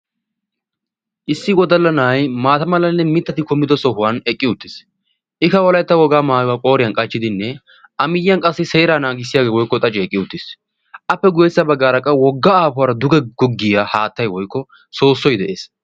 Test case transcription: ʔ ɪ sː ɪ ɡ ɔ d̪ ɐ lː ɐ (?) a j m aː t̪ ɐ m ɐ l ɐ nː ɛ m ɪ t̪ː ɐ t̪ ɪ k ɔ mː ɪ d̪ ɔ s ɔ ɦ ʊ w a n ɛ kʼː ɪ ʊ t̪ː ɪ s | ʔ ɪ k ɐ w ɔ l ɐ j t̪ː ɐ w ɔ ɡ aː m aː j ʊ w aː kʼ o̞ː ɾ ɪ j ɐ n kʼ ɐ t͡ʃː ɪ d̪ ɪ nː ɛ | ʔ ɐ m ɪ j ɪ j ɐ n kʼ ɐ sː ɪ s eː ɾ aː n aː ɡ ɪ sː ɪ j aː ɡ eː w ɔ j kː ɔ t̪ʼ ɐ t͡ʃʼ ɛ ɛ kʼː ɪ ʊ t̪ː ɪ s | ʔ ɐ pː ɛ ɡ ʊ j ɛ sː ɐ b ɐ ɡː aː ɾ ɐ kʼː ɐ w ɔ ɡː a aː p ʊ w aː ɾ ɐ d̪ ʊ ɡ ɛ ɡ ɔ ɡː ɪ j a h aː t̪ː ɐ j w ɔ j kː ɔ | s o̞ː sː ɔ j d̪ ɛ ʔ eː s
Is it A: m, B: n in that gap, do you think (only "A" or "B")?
B